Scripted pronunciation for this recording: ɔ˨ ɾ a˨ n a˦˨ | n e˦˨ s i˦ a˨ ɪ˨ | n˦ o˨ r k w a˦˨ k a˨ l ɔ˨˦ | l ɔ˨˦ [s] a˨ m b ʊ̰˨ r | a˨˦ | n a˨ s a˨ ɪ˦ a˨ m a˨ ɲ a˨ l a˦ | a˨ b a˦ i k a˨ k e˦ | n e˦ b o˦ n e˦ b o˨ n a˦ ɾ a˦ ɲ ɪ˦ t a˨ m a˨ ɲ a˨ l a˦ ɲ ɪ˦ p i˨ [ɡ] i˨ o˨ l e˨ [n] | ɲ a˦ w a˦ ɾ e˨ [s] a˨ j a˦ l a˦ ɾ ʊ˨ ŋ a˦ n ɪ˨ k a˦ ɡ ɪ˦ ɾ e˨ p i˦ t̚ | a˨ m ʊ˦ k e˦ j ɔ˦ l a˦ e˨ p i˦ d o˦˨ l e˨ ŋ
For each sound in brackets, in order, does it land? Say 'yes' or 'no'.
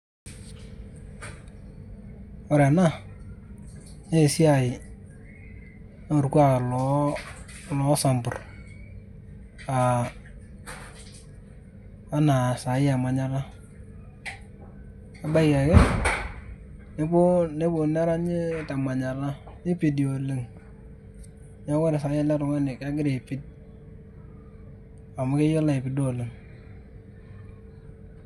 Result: yes, no, no, yes

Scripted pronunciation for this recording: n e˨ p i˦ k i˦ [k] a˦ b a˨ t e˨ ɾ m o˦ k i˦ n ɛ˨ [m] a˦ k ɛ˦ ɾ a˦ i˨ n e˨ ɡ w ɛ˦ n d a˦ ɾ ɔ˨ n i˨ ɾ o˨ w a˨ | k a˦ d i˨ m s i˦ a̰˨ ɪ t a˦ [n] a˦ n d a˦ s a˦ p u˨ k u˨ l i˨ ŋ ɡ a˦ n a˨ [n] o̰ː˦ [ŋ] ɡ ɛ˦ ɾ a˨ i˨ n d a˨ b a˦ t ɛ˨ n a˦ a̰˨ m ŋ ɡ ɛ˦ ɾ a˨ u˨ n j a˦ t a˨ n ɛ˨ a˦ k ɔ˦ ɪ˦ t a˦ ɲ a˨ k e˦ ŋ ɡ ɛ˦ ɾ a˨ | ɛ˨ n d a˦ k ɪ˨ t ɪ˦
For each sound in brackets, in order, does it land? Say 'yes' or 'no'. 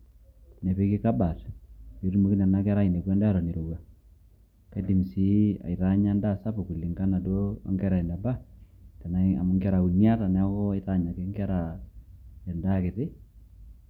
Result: yes, no, no, no, yes

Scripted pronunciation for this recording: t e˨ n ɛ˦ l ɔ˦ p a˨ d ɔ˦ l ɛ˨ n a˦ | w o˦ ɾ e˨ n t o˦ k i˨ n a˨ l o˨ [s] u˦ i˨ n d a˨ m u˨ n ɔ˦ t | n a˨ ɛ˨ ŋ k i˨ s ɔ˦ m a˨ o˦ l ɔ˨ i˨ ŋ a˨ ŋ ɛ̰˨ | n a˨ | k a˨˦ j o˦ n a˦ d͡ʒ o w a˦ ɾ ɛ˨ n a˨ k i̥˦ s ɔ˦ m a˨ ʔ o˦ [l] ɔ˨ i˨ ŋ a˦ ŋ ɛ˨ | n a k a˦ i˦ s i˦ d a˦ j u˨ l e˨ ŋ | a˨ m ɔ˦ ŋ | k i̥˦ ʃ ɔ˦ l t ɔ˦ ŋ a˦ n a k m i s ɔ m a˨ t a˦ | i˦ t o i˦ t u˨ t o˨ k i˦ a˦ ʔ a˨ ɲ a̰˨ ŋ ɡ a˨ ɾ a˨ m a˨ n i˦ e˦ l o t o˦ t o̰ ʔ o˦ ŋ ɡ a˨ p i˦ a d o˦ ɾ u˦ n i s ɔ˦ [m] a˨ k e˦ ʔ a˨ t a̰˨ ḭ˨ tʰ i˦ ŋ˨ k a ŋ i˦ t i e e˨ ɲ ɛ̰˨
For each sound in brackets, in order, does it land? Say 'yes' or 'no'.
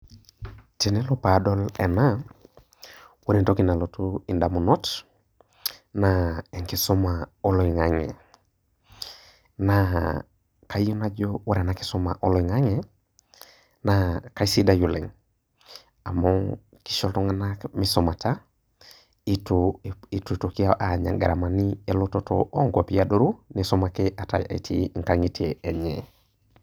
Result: no, yes, yes

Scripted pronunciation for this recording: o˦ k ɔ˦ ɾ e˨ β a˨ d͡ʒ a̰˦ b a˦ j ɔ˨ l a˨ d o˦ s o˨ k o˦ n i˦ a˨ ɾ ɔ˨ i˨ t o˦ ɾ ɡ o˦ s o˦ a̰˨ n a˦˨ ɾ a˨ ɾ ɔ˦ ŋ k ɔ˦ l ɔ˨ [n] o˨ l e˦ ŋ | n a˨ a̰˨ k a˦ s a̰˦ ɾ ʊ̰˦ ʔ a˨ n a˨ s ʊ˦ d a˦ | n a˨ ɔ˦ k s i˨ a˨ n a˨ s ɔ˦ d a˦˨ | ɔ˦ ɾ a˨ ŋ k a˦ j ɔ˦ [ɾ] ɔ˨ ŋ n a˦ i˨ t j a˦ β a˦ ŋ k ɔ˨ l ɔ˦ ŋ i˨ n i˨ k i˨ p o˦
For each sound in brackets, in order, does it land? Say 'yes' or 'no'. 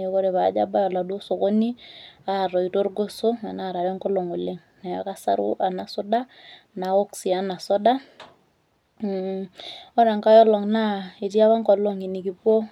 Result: no, no

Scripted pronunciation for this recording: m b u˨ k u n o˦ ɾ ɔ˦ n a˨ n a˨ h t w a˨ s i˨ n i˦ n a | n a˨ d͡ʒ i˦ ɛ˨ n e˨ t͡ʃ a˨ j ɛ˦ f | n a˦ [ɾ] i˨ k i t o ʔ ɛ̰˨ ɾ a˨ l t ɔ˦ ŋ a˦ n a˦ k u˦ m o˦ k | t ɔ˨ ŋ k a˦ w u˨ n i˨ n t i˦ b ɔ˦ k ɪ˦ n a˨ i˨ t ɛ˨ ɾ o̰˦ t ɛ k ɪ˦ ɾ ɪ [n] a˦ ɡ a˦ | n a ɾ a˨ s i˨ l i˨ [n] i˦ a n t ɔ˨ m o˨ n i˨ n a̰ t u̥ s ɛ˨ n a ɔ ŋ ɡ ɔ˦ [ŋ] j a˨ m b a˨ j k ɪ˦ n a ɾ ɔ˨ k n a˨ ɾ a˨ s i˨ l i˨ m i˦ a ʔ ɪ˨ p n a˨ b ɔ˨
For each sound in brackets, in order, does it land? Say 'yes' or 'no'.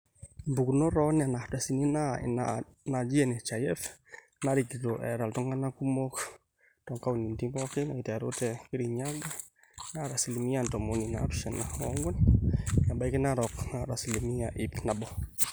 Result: yes, no, no, no

